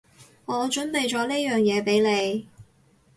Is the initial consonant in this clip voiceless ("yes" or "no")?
no